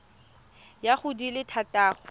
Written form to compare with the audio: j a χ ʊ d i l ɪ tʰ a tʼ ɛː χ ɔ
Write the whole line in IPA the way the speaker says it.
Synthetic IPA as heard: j a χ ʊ d i l ɪ tʰ a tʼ aː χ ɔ